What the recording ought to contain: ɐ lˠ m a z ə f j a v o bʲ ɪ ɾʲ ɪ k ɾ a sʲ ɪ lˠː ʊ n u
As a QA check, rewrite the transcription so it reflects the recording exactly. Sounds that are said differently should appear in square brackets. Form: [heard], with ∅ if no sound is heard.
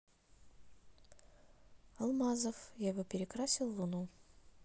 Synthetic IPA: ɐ lˠ m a z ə f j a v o [pʲ] ɪ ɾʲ ɪ k ɾ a sʲ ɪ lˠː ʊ n u